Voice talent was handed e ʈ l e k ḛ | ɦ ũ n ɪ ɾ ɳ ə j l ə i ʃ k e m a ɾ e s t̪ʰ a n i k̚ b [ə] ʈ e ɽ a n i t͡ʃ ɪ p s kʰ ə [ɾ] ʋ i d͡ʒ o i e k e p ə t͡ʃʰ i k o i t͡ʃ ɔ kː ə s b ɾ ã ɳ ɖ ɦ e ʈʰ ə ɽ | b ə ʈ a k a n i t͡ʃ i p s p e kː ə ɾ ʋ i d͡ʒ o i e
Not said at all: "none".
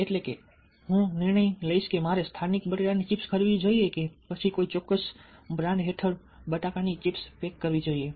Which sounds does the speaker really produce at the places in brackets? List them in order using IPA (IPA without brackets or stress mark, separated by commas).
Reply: ə, ɾ